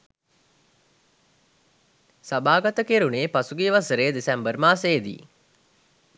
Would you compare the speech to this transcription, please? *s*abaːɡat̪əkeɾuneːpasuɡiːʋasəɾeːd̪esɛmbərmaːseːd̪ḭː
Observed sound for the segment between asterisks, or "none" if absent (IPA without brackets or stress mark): s